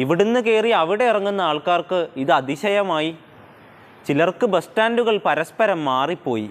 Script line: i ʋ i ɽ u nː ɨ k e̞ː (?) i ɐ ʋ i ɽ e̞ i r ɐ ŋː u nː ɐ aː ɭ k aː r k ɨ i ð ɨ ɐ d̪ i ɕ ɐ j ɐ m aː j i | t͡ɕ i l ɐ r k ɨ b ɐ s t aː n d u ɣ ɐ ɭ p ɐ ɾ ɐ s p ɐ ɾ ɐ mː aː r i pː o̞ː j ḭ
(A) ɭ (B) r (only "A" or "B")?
B